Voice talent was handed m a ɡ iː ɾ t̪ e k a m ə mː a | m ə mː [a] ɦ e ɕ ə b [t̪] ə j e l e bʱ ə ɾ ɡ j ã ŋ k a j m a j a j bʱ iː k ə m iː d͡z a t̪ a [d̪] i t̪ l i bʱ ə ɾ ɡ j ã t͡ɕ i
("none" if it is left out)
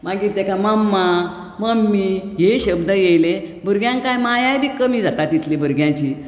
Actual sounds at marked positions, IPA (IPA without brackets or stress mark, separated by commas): i, d̪, t̪